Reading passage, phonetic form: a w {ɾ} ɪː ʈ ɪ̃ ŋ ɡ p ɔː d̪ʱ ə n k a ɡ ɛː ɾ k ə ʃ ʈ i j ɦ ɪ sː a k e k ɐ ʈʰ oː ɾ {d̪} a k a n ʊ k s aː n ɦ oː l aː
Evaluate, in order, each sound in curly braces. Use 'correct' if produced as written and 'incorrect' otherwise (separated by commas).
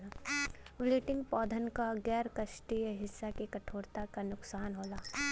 incorrect, incorrect